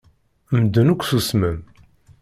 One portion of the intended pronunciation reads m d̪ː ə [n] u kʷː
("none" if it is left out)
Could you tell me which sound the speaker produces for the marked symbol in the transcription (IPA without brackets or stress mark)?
n